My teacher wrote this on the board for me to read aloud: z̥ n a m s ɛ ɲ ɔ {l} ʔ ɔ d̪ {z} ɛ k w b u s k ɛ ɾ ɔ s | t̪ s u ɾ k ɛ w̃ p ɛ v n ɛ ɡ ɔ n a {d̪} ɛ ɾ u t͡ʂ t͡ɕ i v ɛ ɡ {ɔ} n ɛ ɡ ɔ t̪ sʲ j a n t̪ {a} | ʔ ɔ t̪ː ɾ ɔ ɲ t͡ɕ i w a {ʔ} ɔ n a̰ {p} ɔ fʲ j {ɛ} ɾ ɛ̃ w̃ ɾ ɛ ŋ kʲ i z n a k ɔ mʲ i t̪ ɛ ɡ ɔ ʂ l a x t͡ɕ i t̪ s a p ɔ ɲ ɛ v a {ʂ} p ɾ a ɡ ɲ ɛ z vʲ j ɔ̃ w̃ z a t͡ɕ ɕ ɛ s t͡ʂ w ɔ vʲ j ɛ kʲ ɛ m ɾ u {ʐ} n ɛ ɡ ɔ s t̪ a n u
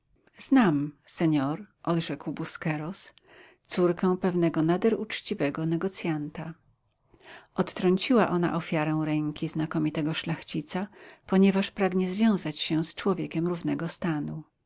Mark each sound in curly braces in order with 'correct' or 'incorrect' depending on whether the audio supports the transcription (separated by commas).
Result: incorrect, incorrect, correct, correct, correct, correct, incorrect, incorrect, correct, incorrect